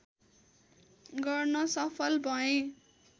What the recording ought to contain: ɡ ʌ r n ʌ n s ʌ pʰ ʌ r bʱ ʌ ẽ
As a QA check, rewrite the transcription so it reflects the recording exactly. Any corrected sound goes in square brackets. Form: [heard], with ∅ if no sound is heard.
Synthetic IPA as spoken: ɡ ʌ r n ʌ [∅] s ʌ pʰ ʌ [l] bʱ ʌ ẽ